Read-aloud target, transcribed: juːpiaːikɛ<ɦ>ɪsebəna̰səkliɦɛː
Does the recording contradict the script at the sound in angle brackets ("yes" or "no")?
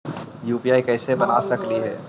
yes